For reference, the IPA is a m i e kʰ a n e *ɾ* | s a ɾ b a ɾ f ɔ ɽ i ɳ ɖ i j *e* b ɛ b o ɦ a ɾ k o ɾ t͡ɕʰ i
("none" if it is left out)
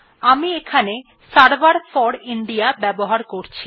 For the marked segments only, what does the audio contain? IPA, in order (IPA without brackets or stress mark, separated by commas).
none, a